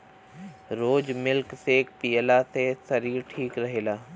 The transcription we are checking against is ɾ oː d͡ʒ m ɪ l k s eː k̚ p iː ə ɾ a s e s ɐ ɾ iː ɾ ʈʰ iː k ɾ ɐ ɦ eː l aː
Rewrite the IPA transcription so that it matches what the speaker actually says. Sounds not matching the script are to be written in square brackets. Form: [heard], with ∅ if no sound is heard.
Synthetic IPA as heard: ɾ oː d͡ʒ m ɪ l k s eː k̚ p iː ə [l] a s e s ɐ ɾ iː ɾ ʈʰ iː k ɾ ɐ ɦ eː l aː